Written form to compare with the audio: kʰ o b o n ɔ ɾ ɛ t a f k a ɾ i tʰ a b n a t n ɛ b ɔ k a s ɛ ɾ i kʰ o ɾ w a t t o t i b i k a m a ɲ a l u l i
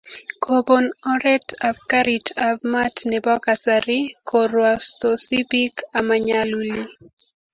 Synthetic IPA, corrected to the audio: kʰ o b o n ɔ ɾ ɛ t a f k a ɾ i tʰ a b m a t n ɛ b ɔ k a s a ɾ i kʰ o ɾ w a s t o s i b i k a m a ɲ a l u l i